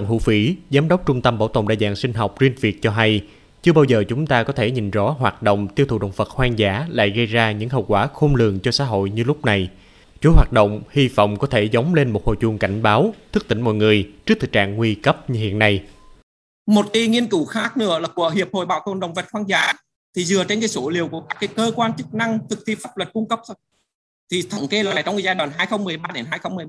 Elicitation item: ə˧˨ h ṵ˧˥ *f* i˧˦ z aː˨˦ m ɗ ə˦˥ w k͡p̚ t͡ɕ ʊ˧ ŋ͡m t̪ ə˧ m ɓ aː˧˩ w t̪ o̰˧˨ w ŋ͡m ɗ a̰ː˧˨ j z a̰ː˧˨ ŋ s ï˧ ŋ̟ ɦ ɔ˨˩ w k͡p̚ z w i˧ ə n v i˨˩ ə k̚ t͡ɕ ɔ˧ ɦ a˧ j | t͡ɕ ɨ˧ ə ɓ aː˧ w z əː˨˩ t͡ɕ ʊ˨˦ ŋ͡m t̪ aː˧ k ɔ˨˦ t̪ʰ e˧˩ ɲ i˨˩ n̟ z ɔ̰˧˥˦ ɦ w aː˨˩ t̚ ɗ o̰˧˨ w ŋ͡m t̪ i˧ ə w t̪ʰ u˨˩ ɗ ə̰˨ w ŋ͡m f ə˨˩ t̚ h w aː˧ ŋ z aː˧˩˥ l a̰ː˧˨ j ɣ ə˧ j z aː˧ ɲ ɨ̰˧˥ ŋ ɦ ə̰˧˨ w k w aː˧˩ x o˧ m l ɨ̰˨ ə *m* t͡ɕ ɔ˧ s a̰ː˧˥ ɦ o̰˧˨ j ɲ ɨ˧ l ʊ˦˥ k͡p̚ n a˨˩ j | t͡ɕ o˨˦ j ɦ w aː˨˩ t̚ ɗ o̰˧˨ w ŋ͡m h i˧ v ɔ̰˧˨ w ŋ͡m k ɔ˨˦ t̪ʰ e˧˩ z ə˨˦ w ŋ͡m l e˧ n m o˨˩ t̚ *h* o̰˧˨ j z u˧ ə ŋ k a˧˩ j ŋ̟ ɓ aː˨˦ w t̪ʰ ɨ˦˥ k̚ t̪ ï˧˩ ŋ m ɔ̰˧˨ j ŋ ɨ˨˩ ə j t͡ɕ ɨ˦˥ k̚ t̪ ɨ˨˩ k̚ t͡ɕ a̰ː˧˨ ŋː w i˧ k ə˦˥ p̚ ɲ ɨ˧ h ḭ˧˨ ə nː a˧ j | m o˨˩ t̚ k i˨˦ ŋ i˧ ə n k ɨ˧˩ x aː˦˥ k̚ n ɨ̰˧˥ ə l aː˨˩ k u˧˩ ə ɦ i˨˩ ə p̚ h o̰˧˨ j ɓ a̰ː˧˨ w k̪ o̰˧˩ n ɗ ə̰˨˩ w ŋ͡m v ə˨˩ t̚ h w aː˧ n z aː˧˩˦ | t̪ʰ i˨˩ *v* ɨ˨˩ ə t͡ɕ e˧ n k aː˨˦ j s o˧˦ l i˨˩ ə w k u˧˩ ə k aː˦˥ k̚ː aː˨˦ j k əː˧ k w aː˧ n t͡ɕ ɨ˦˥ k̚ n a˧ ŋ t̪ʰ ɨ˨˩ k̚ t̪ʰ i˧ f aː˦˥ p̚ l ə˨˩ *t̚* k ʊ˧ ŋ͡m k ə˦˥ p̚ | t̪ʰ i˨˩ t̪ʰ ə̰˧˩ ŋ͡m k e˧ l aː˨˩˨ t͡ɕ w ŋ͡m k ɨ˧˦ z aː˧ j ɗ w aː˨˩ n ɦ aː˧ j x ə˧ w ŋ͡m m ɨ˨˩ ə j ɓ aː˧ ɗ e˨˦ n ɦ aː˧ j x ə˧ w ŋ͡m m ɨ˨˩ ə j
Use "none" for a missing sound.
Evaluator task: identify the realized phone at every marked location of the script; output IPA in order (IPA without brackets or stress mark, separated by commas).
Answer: f, ŋ, h, z, t̚